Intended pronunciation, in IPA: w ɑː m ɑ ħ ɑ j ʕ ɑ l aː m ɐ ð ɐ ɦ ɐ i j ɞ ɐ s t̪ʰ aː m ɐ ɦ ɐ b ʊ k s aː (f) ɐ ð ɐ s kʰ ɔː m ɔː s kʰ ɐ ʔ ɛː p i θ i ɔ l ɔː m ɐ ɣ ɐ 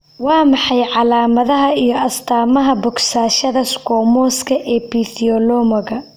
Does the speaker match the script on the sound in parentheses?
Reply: no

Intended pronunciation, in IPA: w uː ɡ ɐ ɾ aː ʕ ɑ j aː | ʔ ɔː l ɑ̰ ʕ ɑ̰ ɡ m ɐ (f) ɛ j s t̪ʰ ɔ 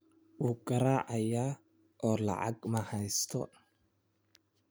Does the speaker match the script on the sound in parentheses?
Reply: no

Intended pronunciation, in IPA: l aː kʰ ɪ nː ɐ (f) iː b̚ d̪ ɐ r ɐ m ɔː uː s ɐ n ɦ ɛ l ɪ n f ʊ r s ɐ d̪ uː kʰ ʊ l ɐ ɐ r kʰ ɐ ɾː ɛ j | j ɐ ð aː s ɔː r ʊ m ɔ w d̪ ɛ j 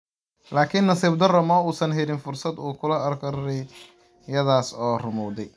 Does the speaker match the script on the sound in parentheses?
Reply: no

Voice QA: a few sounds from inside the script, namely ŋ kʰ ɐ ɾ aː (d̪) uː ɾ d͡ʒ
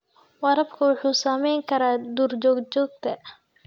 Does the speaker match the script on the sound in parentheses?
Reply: yes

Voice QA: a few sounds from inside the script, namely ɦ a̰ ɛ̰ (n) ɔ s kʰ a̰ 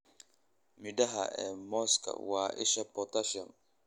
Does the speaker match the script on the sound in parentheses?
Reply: no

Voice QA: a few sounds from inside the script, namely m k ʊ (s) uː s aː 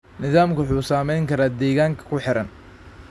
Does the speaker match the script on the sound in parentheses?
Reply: no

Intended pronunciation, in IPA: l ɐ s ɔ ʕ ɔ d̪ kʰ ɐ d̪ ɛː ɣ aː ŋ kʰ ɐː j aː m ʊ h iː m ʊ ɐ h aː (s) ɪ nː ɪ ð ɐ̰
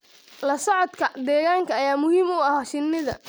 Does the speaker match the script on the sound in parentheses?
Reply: no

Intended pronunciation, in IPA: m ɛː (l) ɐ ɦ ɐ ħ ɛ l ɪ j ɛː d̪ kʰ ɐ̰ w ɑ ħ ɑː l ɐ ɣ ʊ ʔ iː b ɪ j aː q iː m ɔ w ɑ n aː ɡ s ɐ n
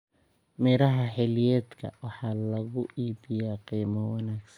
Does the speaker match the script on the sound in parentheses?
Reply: no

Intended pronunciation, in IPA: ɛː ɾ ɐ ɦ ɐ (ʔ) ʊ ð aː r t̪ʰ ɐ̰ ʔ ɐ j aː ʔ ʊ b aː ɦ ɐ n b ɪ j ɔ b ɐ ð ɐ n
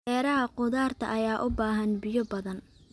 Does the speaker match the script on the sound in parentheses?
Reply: no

